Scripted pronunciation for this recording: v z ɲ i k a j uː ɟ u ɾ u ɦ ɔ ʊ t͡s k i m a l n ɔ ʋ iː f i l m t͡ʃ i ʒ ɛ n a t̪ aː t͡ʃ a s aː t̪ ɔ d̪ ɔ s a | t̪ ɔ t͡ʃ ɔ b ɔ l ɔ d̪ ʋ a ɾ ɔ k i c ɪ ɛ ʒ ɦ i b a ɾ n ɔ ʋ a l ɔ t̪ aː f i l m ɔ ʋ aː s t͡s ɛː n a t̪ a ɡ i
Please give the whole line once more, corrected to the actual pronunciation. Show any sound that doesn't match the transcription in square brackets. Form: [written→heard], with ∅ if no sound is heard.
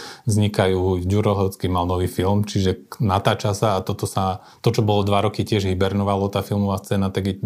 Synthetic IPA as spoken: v z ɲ i k a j uː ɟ u ɾ [u→ɔ] ɦ ɔ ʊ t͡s k i m a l n ɔ ʋ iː f i l m t͡ʃ i ʒ ɛ n a t̪ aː t͡ʃ a s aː t̪ ɔ [d̪→t̪] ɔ s a | t̪ ɔ t͡ʃ ɔ b ɔ l ɔ d̪ ʋ a ɾ ɔ k i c ɪ ɛ ʒ ɦ i b [a→ɛ] ɾ n ɔ ʋ a l ɔ t̪ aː f i l m ɔ ʋ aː s t͡s ɛː n a t̪ a ɡ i